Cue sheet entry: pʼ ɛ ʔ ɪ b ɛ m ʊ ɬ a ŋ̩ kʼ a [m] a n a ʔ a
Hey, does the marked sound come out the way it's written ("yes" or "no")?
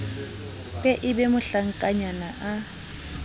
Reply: no